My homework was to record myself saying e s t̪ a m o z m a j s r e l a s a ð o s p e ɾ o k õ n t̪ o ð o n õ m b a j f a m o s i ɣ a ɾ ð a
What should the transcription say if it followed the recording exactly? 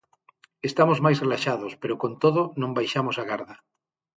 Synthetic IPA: e s t̪ a m o z m a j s r e l a ʃ a ð o s p e ɾ o k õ n t̪ o ð o n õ m b a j ʃ a m o s a ɣ a ɾ ð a